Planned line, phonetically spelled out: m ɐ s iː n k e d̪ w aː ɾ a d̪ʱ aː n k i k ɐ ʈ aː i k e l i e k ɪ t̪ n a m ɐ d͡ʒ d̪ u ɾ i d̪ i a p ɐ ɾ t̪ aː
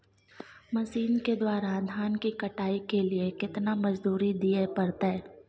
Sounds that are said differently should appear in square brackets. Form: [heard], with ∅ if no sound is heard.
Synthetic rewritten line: m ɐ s iː n k e d̪ w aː ɾ a d̪ʱ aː n k i k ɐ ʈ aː i k e l i e k ɪ t̪ n a m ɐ d͡ʒ d̪ [uː] ɾ i d̪ i [e] p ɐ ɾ t̪ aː

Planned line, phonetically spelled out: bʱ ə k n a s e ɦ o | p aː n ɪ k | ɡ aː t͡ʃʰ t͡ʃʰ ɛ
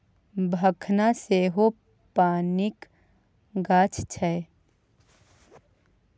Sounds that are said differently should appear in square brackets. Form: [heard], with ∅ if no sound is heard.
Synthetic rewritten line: bʱ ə [kʰ] n a s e ɦ o | p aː n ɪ k | ɡ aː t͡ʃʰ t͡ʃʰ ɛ

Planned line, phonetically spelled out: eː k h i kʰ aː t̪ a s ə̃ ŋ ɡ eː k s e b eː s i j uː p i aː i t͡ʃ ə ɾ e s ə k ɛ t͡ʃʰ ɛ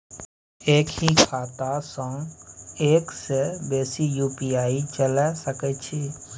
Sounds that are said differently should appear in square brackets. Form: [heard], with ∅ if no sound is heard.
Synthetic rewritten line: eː k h i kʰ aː t̪ a s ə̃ ŋ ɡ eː k s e b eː s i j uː p i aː i t͡ʃ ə [l] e s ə k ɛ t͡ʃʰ [i]

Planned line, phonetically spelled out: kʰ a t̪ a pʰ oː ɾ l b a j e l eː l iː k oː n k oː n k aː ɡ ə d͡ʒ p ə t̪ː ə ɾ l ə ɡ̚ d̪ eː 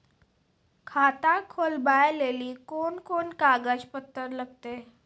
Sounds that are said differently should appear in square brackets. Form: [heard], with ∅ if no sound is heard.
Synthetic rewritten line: kʰ a t̪ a [kʰ] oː [∅] l b a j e l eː l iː k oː n k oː n k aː ɡ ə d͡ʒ p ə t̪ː ə ɾ l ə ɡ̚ [t̪] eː

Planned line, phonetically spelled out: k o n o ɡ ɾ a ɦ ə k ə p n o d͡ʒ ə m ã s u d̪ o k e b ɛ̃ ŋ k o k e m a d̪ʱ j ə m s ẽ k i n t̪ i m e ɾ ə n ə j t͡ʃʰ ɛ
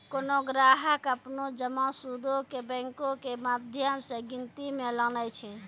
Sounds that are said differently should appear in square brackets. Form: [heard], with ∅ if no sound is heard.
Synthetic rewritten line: k o n o ɡ ɾ a ɦ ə k ə p n o d͡ʒ ə m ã s u d̪ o k e b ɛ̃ ŋ k o k e m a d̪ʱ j ə m s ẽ [ɡ] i n t̪ i m e [l] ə n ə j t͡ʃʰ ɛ

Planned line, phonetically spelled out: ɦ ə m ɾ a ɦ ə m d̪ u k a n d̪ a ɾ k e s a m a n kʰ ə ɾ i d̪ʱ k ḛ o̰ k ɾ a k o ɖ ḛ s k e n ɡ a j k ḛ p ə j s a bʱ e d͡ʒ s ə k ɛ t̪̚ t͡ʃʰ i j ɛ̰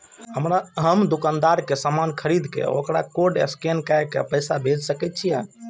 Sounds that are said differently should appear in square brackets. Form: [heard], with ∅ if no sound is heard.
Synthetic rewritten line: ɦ ə m ɾ a ɦ ə m d̪ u k a n d̪ a ɾ k e s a m a n kʰ ə ɾ i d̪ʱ k ḛ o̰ k ɾ a k o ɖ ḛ s k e n [k] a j k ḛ p ə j s a bʱ e d͡ʒ s ə k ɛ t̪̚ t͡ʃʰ i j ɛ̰

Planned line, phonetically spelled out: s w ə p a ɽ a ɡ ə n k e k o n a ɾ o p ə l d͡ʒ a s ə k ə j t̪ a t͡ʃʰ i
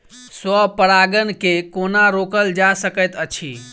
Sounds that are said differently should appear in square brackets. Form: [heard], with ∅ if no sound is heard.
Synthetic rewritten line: s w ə p [ə] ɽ a ɡ ə n k e k o n a ɾ o [k] ə l d͡ʒ a s ə k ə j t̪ [ə] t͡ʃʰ i

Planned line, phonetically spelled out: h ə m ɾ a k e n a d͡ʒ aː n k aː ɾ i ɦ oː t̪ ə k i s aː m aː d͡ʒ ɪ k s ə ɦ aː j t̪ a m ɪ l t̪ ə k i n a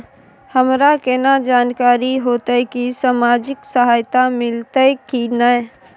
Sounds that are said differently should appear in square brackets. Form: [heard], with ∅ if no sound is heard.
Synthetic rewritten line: h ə m ɾ a k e n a d͡ʒ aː n k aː ɾ i ɦ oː t̪ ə k i s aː m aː d͡ʒ ɪ k s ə ɦ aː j t̪ a m ɪ l t̪ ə k i n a

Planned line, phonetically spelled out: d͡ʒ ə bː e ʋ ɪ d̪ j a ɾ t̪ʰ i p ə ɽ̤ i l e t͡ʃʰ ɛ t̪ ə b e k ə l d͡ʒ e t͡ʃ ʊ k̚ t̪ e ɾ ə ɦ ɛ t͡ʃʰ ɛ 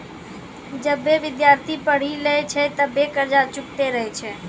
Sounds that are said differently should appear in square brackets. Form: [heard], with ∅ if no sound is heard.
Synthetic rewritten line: d͡ʒ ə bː e ʋ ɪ d̪ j a ɾ t̪ʰ i p ə ɽ̤ i l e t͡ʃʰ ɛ t̪ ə b e k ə [ɾ] d͡ʒ [a] t͡ʃ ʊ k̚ t̪ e ɾ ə ɦ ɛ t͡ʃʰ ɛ

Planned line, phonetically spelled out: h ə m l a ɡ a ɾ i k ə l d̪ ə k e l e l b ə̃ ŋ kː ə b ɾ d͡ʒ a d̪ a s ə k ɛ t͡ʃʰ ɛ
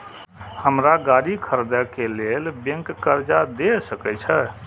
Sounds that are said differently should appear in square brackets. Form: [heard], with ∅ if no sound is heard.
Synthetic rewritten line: h ə m [ɾ] a ɡ a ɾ i [kʰ] ə [ɾ] d̪ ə k e l e l b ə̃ ŋ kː ə [∅] ɾ d͡ʒ a d̪ [e] s ə k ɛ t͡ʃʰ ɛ

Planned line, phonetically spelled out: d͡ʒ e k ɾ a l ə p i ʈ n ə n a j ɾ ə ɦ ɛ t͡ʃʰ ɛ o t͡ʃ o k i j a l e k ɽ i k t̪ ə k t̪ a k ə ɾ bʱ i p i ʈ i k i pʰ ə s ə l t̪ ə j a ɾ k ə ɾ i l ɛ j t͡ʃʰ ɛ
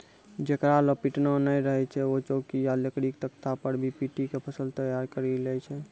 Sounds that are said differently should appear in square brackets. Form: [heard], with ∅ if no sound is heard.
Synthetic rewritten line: d͡ʒ e k ɾ a l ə p i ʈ n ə n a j ɾ ə ɦ ɛ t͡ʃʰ ɛ o t͡ʃ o k i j a l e k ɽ i k t̪ ə k t̪ a [p] ə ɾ bʱ i p i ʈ i k [e] pʰ ə s ə l t̪ ə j a ɾ k ə ɾ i l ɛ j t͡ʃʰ ɛ

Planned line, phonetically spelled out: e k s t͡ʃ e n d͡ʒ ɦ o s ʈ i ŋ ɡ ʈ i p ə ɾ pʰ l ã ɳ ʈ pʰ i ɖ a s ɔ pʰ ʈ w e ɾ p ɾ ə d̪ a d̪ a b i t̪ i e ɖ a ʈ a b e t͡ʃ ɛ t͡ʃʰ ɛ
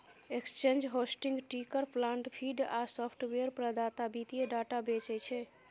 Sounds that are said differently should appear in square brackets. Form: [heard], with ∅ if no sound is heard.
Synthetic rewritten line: e k s t͡ʃ e n d͡ʒ ɦ o s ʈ i ŋ ɡ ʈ i [k] ə ɾ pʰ l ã ɳ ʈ pʰ i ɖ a s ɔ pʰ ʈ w e ɾ p ɾ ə d̪ a [t̪] a b i t̪ i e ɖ a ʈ a b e t͡ʃ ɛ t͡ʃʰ ɛ

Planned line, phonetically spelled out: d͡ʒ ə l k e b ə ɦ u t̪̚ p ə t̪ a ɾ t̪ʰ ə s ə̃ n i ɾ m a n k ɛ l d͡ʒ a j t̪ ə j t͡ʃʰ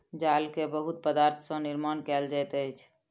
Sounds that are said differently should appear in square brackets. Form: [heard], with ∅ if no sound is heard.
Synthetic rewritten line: d͡ʒ [a] l k e b ə ɦ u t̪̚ p ə [d̪] a ɾ t̪ʰ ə s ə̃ n i ɾ m a n k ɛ l d͡ʒ a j t̪ ə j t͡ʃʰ

